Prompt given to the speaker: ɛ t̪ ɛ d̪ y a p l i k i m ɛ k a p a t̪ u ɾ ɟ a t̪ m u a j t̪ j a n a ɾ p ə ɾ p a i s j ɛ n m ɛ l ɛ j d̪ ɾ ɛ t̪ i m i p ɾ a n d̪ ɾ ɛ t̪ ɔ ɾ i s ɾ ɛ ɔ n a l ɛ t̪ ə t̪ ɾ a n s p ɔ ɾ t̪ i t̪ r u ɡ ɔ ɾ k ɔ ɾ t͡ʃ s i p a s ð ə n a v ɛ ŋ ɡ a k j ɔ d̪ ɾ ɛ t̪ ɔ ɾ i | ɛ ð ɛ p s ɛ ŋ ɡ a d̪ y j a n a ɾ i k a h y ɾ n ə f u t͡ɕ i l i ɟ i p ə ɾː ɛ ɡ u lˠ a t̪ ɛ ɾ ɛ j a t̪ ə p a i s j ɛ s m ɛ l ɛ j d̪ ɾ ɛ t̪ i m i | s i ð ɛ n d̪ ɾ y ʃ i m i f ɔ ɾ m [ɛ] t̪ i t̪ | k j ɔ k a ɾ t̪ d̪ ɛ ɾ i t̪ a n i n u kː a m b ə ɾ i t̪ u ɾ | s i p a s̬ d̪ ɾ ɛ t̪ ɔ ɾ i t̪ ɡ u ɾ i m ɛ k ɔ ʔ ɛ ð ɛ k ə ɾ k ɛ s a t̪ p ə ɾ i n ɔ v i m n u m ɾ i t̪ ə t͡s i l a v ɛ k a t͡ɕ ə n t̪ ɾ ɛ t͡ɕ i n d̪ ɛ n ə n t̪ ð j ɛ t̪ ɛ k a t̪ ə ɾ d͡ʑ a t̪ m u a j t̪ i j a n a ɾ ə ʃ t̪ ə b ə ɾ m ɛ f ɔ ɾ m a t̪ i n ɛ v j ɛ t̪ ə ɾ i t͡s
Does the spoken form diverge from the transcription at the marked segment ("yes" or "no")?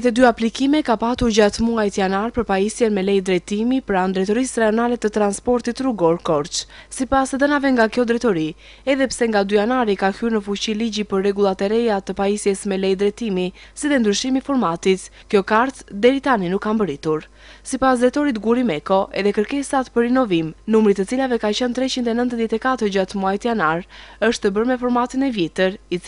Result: yes